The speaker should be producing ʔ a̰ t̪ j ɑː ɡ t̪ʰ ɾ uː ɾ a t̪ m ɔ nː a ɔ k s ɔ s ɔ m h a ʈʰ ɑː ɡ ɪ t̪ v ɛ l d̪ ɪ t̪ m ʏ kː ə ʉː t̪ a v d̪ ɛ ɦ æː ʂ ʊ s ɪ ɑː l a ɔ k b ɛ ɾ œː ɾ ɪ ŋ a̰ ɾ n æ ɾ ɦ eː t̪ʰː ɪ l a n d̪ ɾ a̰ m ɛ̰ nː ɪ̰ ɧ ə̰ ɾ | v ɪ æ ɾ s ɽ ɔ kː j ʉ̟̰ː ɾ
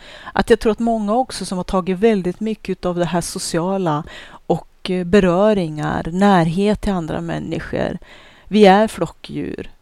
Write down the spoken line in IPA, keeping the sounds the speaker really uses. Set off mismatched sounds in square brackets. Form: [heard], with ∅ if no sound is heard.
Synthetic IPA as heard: ʔ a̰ t̪ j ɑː ɡ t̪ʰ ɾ uː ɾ a t̪ m ɔ [ŋː] a ɔ k s ɔ s ɔ m h a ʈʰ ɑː ɡ ɪ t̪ v ɛ l d̪ ɪ t̪ m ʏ kː ə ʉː t̪ a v d̪ ɛ ɦ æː ʂ ʊ s ɪ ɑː l a ɔ k b ɛ ɾ œː ɾ ɪ ŋ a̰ ɾ n [æː] ɾ ɦ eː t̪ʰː ɪ l a n d̪ ɾ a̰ m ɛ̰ nː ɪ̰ ɧ ə̰ ɾ | v ɪ æ ɾ [f] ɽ ɔ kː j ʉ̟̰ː ɾ